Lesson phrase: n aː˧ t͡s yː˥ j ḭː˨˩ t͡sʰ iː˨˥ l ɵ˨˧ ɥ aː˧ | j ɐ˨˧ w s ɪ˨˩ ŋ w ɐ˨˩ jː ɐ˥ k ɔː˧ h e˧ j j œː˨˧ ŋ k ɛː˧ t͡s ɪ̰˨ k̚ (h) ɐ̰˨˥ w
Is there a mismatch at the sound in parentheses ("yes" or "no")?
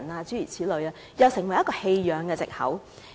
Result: no